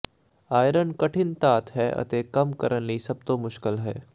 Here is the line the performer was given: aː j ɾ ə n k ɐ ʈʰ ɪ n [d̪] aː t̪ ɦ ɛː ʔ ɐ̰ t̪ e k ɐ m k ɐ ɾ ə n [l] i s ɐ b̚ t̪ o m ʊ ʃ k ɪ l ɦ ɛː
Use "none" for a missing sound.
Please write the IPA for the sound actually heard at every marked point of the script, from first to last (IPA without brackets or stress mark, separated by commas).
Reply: t̪, l